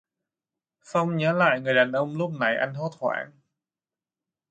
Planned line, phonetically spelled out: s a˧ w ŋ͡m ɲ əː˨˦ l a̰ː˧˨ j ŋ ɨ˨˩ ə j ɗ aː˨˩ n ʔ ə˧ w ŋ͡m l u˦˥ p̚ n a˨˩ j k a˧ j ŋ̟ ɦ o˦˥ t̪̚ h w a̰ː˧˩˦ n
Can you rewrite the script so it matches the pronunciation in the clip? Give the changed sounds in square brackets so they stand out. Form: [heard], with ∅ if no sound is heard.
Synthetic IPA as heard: s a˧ w ŋ͡m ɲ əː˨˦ l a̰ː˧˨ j ŋ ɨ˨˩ ə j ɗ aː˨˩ n ʔ ə˧ w ŋ͡m l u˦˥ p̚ n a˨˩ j [ʔ] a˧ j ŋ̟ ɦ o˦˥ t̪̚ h w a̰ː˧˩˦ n